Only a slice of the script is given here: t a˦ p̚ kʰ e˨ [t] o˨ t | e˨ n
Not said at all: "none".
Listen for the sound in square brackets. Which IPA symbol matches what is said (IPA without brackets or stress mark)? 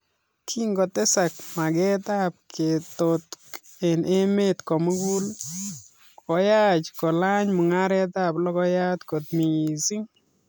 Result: t